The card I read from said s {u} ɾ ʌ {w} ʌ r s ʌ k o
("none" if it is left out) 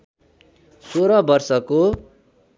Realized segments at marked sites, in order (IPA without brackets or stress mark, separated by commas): o, b